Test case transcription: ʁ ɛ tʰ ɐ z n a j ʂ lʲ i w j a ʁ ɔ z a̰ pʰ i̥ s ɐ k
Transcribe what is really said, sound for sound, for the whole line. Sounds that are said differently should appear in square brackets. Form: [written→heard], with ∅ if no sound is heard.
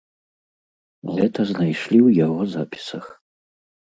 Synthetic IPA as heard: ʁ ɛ tʰ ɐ z n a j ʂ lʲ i w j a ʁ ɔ z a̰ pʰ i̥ s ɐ [k→x]

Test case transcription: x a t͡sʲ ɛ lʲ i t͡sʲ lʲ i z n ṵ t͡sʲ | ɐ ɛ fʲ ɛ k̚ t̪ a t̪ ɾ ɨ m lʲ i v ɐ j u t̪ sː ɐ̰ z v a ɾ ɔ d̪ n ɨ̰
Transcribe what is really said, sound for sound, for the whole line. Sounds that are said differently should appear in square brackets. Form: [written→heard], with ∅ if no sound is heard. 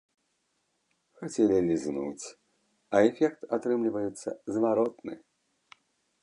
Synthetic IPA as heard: x a t͡sʲ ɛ lʲ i [t͡sʲ→∅] lʲ i z n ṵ t͡sʲ | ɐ ɛ fʲ ɛ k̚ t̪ a t̪ ɾ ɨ m lʲ i v ɐ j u t̪ sː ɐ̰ z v a ɾ ɔ [d̪→t̪] n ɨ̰

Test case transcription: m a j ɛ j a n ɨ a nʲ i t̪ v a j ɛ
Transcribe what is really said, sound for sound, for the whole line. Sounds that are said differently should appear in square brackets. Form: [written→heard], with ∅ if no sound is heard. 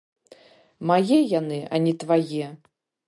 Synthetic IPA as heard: m a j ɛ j a n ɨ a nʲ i t̪ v a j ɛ

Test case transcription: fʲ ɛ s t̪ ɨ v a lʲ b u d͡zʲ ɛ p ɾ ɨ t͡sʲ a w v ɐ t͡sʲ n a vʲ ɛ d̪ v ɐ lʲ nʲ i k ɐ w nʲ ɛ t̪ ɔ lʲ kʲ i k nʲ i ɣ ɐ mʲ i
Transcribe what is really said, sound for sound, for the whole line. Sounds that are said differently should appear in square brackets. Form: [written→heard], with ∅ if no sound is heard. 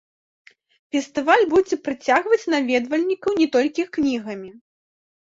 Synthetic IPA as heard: fʲ ɛ s t̪ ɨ v a lʲ b u d͡zʲ ɛ p ɾ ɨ t͡sʲ a [w→ɣ] v ɐ t͡sʲ n a vʲ ɛ d̪ v ɐ lʲ nʲ i k ɐ w nʲ ɛ t̪ ɔ lʲ kʲ i k nʲ i ɣ ɐ mʲ i

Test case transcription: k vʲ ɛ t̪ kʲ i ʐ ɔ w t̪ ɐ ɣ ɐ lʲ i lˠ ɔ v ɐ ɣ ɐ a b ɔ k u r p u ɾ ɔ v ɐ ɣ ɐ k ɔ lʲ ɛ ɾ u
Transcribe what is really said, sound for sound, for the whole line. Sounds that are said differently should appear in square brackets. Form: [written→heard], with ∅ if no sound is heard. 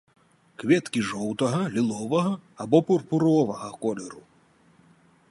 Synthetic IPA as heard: k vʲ ɛ t̪ kʲ i ʐ ɔ w t̪ ɐ ɣ ɐ lʲ i lˠ ɔ v ɐ ɣ ɐ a b ɔ [k→p] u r p u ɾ ɔ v ɐ ɣ ɐ k ɔ lʲ ɛ ɾ u

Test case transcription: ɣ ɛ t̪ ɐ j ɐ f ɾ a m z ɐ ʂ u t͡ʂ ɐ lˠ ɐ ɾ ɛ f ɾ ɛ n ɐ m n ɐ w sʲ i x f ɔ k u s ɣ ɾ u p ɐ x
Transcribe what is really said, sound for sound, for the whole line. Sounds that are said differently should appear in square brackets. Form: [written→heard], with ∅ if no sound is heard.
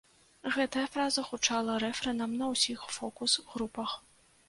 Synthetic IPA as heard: ɣ ɛ t̪ ɐ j ɐ f ɾ a [m→∅] z ɐ [ʂ→x] u t͡ʂ [ɐ→a] lˠ ɐ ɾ ɛ f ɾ ɛ n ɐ m n ɐ w sʲ i x f ɔ k u s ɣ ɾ u p ɐ x

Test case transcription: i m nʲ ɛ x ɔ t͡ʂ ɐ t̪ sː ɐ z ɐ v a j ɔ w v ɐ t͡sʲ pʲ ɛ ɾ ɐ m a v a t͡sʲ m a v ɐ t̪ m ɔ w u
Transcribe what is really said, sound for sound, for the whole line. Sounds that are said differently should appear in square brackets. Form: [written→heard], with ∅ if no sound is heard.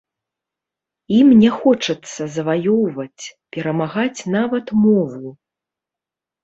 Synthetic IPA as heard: i m nʲ ɛ x ɔ t͡ʂ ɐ t̪ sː ɐ z ɐ v a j ɔ w v ɐ t͡sʲ pʲ ɛ ɾ ɐ m a [v→ɣ] a t͡sʲ [m→n] a v ɐ t̪ m ɔ [w→v] u

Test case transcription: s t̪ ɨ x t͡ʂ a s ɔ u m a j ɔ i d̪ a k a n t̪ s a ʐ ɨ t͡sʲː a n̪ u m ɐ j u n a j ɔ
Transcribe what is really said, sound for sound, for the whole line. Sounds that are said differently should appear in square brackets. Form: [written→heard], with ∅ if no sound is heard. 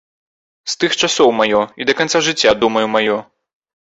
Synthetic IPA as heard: s t̪ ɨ x t͡ʂ a s ɔ [u→w] m a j ɔ i d̪ [a→ɐ] k a n t̪ s a ʐ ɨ t͡sʲː a [n̪→d̪] u m ɐ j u [n→m] a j ɔ

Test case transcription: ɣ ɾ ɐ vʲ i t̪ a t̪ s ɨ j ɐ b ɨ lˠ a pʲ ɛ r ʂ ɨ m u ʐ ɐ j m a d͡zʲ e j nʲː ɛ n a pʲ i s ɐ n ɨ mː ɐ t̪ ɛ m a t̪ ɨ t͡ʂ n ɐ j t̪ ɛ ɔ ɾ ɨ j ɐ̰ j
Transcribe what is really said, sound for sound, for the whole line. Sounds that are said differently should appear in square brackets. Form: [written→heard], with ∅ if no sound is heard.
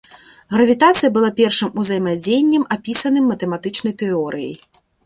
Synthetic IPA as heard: ɣ ɾ ɐ vʲ i t̪ a t̪ s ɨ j ɐ b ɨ lˠ a pʲ ɛ r ʂ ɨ m u [ʐ→z] ɐ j m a d͡zʲ e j nʲː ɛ [n→m] a pʲ i s ɐ n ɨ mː ɐ t̪ ɛ m a t̪ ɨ t͡ʂ n ɐ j t̪ ɛ ɔ ɾ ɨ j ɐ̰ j

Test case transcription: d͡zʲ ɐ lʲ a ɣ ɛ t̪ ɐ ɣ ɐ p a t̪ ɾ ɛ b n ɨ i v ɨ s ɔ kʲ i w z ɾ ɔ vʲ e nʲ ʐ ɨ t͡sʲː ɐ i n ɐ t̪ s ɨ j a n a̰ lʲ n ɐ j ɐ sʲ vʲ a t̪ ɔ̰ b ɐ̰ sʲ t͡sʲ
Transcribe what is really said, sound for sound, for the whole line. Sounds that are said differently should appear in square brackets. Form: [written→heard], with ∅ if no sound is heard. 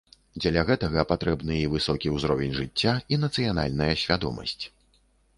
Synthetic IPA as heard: d͡zʲ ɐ lʲ a ɣ ɛ t̪ ɐ ɣ ɐ p a t̪ ɾ ɛ b n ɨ i v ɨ s ɔ kʲ i w z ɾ ɔ vʲ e nʲ ʐ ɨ t͡sʲː [ɐ→a] i n ɐ t̪ s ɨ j a n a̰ lʲ n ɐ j ɐ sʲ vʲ a [t̪→d̪] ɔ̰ [b→m] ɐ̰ sʲ t͡sʲ

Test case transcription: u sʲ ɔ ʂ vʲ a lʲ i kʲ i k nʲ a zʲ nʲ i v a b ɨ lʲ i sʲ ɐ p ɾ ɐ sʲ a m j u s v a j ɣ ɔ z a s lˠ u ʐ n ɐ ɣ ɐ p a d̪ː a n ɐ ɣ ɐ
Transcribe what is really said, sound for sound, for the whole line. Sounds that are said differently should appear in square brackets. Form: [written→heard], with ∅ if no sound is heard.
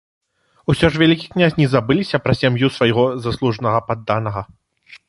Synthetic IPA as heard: u sʲ ɔ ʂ vʲ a lʲ i kʲ i k nʲ a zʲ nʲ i [v→z] a b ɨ lʲ i sʲ ɐ p ɾ ɐ sʲ a m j u s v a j ɣ ɔ z a s lˠ u ʐ n ɐ ɣ ɐ p a d̪ː a n ɐ ɣ ɐ

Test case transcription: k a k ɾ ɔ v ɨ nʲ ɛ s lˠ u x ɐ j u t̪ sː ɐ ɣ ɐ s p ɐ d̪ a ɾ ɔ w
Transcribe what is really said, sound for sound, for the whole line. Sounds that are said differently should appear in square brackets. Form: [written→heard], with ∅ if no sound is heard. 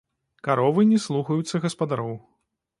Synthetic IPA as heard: k a [k→∅] ɾ ɔ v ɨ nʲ ɛ s lˠ u x ɐ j u t̪ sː ɐ ɣ ɐ s p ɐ d̪ a ɾ ɔ w

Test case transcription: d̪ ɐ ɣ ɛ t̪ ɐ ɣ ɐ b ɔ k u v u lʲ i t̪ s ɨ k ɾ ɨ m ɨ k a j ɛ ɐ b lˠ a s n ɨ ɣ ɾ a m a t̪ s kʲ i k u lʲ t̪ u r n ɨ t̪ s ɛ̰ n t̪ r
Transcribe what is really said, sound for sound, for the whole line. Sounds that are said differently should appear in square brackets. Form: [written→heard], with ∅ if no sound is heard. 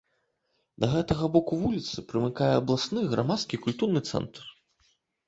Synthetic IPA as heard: d̪ ɐ ɣ ɛ t̪ ɐ ɣ ɐ b ɔ k u v u lʲ i t̪ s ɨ [k→p] ɾ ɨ m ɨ k a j ɛ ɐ b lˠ a s n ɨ ɣ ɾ a m a t̪ s kʲ i k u lʲ t̪ u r n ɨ t̪ s ɛ̰ n t̪ r

